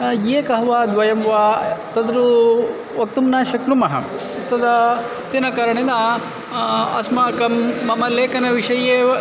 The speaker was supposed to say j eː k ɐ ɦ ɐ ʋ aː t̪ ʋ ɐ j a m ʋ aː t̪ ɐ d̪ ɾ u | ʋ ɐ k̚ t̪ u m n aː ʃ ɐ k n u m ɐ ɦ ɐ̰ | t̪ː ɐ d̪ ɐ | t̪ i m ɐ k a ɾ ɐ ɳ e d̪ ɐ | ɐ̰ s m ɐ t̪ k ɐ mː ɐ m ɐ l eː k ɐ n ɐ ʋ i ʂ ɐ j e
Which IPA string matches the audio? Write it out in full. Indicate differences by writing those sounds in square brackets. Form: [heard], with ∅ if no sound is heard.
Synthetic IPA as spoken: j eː k ɐ ɦ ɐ ʋ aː [d̪] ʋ ɐ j [ɐ] m ʋ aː t̪ ɐ d̪ ɾ u | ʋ ɐ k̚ t̪ u m n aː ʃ ɐ k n u m ɐ ɦ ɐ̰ | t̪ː ɐ d̪ ɐ | t̪ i [n] ɐ k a ɾ ɐ ɳ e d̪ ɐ | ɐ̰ s m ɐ [∅] k ɐ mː ɐ m ɐ l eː k ɐ n ɐ ʋ i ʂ ɐ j e